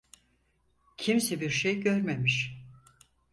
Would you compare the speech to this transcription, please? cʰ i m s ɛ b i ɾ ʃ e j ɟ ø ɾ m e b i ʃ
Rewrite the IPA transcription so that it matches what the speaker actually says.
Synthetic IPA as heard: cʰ i m s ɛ b i ɾ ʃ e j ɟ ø ɾ m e m i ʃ